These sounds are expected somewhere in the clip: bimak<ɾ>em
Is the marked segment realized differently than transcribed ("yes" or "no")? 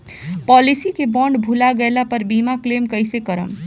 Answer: yes